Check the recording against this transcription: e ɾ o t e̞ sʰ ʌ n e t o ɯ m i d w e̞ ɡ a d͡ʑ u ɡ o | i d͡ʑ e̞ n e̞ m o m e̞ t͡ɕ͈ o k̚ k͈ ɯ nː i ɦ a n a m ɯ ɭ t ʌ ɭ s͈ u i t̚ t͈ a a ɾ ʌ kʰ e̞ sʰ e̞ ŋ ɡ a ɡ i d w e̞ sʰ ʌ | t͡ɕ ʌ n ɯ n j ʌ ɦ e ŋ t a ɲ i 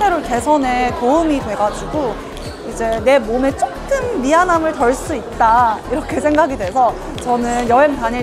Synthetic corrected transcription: e ɾ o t e̞ sʰ ʌ n e t o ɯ m i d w e̞ ɡ a d͡ʑ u ɡ o | i d͡ʑ e̞ n e̞ m o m e̞ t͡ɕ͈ o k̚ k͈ ɯ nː i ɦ a n a m ɯ ɭ t ʌ ɭ s͈ u i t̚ t͈ a i ɾ ʌ kʰ e̞ sʰ e̞ ŋ ɡ a ɡ i d w e̞ sʰ ʌ | t͡ɕ ʌ n ɯ n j ʌ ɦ e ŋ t a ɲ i